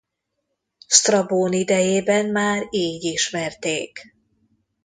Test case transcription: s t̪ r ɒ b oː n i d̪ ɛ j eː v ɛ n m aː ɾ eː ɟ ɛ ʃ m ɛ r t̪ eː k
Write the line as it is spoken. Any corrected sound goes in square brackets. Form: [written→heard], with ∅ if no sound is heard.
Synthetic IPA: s t̪ r ɒ b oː n i d̪ ɛ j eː [v→b] ɛ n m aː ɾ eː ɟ [ɛ→i] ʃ m ɛ r t̪ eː k